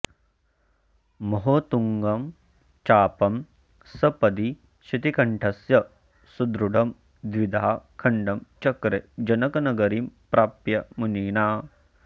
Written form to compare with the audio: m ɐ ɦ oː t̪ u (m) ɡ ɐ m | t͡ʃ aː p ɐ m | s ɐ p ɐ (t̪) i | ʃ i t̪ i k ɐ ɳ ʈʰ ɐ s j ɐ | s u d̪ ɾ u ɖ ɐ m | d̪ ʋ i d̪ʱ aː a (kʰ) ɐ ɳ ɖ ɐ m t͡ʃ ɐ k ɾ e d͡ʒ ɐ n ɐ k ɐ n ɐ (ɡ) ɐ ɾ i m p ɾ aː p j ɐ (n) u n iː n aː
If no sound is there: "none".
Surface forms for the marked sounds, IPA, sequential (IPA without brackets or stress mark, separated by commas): ŋ, d̪, kʰ, ɡ, m